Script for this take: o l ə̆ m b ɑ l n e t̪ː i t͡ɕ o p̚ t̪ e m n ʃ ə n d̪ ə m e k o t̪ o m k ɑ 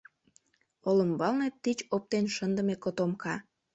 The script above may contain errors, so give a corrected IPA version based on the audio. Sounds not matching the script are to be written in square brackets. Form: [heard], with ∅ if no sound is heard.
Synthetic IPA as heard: o l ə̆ m b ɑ l n e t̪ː i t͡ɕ o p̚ t̪ e [∅] n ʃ ə n d̪ ə m e k o t̪ o m k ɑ